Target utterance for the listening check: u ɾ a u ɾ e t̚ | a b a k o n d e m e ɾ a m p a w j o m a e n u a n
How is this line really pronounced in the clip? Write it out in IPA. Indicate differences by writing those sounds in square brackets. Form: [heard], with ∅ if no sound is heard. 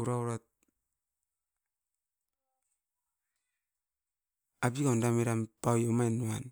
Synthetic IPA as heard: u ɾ a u ɾ [a] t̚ | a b [i] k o n d [a] m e ɾ a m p a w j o m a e n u a n